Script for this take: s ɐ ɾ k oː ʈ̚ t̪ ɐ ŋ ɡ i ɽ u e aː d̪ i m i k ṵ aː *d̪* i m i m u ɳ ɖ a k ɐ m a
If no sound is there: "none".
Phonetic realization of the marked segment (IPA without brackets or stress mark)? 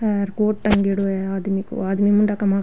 d̪